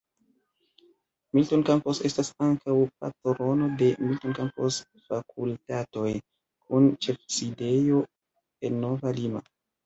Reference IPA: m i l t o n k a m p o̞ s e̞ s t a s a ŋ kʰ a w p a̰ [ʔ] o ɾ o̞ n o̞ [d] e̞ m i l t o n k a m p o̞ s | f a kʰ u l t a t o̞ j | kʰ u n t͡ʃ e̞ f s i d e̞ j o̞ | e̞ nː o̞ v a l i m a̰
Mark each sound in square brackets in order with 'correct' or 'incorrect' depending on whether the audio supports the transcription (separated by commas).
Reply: incorrect, correct